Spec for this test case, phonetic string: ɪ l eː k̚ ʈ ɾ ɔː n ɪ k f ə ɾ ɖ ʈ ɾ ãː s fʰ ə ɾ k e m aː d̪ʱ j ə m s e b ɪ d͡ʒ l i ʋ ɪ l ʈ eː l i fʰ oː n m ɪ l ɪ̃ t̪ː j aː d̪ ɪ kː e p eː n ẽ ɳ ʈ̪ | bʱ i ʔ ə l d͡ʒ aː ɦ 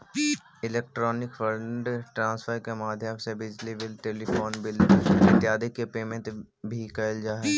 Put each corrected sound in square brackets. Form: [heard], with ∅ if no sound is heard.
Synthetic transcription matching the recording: ɪ l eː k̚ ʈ ɾ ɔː n ɪ k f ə ɾ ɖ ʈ ɾ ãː s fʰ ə ɾ k e m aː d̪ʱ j ə m s e b ɪ d͡ʒ l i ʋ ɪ l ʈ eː l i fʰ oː n [b] ɪ l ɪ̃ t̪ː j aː d̪ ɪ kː e p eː [m] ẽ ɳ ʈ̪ | bʱ i [k] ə l d͡ʒ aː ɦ